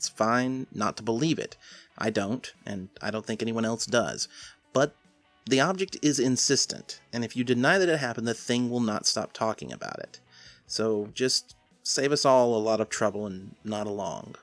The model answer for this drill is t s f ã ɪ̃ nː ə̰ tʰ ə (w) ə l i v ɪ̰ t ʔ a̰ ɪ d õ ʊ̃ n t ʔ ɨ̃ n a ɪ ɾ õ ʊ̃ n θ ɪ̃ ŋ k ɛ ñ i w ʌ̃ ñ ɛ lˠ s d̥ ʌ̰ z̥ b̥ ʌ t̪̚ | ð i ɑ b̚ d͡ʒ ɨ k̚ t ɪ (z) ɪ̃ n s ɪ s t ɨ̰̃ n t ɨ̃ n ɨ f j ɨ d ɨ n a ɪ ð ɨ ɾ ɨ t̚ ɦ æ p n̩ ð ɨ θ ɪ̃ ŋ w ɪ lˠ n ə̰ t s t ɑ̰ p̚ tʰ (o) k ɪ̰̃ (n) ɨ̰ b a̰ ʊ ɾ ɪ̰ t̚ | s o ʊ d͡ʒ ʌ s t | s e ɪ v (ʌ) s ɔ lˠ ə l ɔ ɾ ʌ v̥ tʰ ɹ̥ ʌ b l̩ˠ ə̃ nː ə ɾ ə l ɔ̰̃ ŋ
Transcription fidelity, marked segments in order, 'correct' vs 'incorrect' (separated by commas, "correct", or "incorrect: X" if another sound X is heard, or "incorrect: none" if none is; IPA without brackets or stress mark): incorrect: b, correct, incorrect: ɔ, incorrect: ŋ, correct